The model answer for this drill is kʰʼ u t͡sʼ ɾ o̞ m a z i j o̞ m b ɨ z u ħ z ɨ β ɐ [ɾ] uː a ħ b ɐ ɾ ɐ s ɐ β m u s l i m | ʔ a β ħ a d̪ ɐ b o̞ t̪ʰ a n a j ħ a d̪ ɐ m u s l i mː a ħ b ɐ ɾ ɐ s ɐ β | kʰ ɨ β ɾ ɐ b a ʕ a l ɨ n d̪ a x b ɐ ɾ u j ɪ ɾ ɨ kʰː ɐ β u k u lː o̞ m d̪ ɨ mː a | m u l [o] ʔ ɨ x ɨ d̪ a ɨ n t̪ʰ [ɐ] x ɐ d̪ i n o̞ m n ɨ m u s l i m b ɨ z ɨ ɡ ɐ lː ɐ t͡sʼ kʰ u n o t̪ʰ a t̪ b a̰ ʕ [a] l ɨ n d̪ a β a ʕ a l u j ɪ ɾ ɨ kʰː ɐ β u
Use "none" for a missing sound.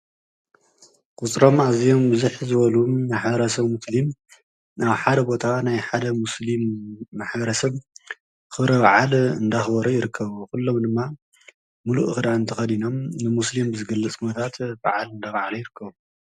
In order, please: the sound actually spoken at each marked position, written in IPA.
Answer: l, u, ɐ, a

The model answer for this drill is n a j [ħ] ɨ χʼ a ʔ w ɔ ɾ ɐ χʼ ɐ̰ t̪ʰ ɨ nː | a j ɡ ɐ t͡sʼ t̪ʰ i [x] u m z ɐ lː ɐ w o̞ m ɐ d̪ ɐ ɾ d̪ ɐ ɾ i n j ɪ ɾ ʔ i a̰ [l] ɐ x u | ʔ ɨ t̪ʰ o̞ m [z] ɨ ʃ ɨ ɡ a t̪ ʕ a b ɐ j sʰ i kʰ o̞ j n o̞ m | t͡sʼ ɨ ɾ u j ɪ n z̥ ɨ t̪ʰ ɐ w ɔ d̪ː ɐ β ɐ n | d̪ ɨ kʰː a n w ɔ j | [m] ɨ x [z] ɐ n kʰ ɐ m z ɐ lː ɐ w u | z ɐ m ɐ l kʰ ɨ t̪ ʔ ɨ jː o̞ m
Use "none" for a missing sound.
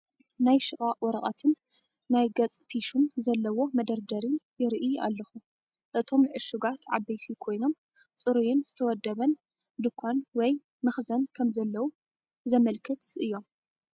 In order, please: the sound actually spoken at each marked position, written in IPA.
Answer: ʃ, ʃ, lː, ʕ, m, z

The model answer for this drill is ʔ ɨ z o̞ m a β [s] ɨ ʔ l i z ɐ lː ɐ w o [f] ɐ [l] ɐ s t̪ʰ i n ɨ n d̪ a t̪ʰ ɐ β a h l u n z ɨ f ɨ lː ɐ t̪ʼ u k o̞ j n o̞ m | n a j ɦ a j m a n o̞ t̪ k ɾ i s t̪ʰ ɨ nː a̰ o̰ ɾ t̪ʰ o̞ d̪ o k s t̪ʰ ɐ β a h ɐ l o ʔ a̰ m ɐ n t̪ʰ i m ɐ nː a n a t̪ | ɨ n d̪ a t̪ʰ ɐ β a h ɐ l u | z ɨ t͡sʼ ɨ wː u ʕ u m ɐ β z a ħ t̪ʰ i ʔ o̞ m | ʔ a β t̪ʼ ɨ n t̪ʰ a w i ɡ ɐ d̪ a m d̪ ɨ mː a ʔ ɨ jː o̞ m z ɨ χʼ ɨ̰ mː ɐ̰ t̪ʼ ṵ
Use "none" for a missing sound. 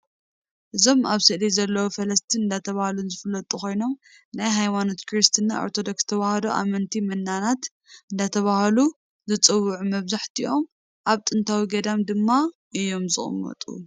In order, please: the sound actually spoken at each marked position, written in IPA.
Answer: s, f, l

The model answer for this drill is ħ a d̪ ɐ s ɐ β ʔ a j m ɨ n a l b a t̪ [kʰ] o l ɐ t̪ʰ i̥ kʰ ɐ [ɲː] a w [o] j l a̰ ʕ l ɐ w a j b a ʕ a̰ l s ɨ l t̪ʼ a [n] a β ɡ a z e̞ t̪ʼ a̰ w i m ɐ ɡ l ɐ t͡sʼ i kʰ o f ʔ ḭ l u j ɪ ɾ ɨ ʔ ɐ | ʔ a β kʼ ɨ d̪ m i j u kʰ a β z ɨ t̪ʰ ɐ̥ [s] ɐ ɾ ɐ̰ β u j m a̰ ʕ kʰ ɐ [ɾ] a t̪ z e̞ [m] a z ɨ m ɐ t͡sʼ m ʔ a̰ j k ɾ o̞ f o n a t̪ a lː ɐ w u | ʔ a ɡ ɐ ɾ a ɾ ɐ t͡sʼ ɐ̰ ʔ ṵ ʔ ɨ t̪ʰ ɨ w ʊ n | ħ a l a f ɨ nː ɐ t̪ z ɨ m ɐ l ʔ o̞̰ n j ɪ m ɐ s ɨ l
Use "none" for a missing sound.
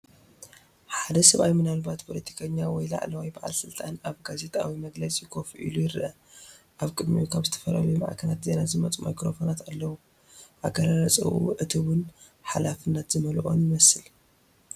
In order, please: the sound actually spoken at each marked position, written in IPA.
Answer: pʰ, ɲː, ɔ, n, f, l, n

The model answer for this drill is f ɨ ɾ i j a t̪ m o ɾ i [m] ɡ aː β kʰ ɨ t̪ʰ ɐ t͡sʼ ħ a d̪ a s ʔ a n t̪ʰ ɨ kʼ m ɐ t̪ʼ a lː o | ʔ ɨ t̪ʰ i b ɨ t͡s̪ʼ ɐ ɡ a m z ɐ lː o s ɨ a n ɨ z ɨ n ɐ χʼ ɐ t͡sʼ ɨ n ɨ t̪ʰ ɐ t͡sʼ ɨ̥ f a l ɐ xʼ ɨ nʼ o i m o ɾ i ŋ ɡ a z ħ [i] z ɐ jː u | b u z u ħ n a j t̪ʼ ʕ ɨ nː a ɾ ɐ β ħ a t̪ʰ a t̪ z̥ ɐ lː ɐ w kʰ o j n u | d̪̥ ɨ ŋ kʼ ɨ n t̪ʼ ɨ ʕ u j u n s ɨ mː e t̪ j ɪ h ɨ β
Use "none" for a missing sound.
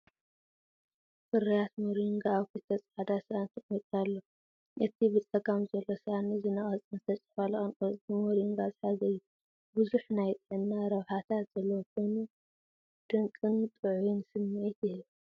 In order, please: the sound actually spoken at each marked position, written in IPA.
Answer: ŋ, a

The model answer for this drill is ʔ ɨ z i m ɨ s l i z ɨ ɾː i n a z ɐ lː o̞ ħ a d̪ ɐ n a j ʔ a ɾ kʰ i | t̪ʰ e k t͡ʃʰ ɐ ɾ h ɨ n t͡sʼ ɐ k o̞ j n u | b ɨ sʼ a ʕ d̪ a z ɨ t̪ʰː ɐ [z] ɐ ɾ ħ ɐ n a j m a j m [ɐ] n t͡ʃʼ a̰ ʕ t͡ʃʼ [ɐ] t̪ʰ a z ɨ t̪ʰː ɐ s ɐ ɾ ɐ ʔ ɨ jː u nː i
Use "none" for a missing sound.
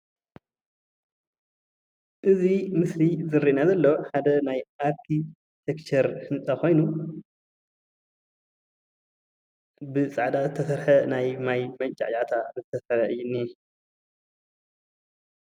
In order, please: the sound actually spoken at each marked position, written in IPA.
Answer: s, ɐ, a

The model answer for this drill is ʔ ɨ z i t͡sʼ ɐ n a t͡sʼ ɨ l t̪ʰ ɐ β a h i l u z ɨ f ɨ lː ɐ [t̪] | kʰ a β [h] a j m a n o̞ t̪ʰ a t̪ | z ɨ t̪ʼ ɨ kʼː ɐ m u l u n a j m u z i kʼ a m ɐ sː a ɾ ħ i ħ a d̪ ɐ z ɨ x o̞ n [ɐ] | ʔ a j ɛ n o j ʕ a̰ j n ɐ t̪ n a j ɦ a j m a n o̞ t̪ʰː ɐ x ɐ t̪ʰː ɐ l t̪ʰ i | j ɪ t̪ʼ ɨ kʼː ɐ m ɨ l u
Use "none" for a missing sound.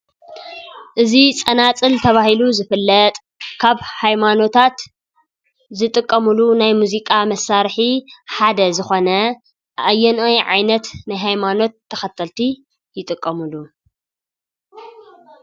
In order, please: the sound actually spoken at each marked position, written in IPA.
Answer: t̪ʼ, h, ɐ

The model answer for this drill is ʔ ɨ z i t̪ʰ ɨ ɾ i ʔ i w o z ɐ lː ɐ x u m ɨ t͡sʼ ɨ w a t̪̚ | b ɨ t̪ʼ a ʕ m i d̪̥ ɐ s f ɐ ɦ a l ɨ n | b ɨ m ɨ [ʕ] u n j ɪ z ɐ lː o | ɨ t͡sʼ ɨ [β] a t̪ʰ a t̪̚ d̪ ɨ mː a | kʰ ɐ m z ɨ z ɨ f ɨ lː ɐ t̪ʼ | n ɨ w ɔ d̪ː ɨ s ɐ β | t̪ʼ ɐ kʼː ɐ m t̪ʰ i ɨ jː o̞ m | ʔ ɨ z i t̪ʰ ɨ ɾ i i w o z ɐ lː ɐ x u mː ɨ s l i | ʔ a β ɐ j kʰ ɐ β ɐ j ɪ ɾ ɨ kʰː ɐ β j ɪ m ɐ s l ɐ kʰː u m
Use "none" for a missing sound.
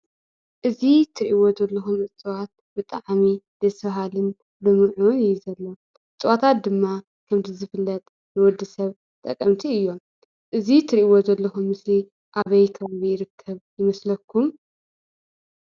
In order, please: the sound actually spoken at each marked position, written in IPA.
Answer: ʕ, w

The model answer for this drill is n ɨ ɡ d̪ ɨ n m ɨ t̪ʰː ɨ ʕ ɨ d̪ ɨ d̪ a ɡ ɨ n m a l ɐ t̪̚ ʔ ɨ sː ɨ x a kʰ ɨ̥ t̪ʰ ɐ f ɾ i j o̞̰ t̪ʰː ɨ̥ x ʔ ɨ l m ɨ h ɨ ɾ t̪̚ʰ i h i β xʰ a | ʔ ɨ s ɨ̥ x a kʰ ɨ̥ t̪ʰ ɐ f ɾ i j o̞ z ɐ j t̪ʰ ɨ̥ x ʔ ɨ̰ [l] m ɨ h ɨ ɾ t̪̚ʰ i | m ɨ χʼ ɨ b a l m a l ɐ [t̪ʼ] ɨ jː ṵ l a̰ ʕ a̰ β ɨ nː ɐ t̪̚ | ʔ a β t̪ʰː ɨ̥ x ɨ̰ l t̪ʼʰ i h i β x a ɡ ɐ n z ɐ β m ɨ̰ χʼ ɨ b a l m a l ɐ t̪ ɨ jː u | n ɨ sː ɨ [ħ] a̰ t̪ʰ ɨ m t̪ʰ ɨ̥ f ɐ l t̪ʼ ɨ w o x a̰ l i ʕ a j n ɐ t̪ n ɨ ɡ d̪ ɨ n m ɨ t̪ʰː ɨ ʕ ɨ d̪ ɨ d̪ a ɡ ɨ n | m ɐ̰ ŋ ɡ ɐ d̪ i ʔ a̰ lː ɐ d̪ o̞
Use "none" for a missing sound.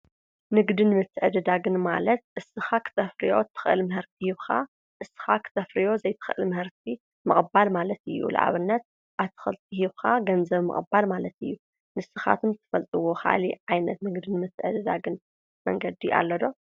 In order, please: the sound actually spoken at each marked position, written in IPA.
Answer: l, t̪, x

